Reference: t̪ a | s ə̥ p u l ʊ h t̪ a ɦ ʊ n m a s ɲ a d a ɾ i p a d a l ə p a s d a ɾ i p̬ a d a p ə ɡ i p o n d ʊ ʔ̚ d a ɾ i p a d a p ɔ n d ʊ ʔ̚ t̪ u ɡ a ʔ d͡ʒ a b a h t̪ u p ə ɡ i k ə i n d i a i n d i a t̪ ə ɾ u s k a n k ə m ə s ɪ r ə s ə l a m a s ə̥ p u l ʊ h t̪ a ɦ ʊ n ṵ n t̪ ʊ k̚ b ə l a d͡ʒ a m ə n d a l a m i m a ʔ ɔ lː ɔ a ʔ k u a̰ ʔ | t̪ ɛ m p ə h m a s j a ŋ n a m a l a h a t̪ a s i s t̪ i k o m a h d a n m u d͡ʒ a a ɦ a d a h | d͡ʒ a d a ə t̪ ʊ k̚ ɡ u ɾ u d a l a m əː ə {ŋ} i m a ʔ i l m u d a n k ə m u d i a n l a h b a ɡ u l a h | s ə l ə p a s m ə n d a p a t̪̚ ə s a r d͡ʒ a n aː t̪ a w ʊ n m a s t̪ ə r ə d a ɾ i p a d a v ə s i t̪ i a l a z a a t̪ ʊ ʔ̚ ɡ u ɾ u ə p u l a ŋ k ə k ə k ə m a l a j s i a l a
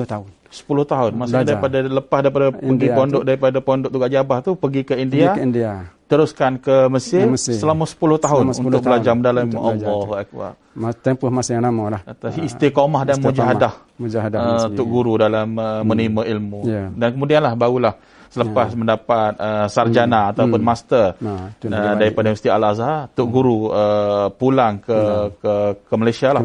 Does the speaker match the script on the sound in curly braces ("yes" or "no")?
no